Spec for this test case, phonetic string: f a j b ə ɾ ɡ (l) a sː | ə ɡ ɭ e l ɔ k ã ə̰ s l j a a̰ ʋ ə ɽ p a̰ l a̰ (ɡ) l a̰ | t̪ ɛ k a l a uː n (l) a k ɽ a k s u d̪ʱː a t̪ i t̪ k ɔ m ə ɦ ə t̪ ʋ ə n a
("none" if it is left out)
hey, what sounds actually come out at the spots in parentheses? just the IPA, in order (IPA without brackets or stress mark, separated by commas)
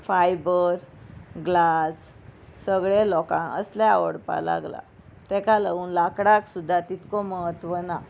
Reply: l, ɡ, l